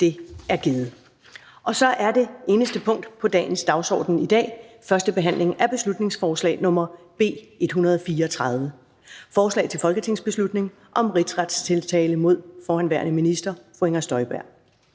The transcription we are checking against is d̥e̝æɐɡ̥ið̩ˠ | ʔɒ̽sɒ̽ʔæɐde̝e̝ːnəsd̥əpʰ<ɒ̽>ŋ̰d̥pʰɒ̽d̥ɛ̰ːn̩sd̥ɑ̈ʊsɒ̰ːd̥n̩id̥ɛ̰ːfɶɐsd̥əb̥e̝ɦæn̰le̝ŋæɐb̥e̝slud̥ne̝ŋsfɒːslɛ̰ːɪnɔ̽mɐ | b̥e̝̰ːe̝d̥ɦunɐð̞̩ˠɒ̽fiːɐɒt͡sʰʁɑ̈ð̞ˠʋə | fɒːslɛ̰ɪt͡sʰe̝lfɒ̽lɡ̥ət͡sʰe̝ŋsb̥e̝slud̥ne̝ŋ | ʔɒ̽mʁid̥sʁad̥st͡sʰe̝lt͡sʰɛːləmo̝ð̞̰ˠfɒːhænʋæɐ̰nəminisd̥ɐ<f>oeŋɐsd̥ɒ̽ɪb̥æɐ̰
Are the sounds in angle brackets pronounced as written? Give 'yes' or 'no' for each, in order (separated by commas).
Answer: no, yes